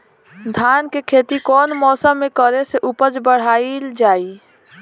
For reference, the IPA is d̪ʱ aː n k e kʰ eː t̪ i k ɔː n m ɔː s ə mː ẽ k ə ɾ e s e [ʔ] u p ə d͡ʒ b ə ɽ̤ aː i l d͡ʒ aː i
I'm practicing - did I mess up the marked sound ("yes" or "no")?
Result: no